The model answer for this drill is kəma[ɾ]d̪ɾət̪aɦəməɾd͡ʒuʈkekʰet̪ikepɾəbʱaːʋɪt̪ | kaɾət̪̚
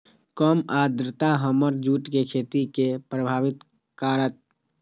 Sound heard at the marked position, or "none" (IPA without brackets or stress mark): none